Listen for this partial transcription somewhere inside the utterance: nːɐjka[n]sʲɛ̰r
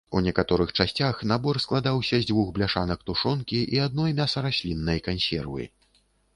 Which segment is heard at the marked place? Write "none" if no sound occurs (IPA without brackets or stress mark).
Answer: n